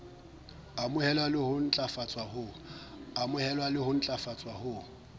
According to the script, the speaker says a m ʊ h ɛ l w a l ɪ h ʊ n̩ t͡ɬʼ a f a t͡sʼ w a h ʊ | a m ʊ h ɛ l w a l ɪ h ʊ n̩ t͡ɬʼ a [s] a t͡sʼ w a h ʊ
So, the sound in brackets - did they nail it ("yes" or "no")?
no